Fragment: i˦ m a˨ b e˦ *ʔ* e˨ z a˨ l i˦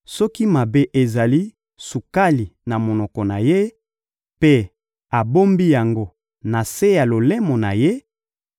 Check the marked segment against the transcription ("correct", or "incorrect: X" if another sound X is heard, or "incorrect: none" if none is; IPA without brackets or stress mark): correct